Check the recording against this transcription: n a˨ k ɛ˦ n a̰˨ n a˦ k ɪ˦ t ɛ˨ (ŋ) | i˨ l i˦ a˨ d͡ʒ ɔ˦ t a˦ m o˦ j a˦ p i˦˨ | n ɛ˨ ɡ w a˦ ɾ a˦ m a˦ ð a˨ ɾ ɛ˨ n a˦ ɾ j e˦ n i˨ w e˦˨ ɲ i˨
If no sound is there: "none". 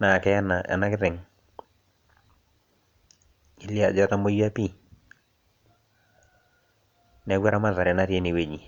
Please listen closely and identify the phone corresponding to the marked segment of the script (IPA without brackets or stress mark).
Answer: ŋ